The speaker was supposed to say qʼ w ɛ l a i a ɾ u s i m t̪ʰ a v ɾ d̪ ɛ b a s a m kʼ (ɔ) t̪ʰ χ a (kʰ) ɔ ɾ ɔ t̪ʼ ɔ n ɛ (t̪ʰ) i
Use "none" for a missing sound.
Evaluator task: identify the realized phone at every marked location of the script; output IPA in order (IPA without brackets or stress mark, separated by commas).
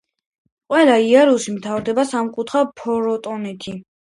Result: u, pʰ, t̪ʰ